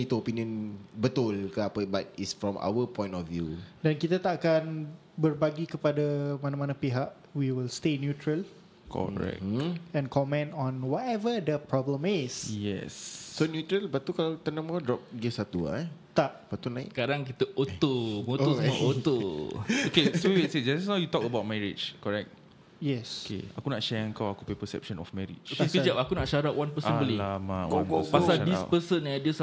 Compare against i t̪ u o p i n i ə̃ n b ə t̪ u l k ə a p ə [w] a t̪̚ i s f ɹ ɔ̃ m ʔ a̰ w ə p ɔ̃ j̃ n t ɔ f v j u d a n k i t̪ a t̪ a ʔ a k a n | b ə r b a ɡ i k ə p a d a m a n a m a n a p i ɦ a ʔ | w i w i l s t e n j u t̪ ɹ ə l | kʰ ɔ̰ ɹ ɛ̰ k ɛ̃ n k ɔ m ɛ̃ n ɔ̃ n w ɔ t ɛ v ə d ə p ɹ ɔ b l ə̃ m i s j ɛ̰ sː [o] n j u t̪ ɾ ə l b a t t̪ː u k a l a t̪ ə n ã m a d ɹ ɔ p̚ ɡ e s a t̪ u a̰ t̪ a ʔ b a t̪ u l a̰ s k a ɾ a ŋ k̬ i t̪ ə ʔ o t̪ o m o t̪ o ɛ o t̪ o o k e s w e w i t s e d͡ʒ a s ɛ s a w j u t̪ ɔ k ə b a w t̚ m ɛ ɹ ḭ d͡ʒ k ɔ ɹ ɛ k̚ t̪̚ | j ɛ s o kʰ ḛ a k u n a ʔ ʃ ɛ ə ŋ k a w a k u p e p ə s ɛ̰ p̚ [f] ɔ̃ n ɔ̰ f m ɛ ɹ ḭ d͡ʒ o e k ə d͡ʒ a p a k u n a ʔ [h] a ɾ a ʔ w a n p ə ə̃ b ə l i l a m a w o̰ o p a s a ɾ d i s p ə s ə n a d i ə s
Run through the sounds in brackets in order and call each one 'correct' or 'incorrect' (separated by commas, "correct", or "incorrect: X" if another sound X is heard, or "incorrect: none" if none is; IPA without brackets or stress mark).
incorrect: b, correct, incorrect: ʃ, incorrect: ʃ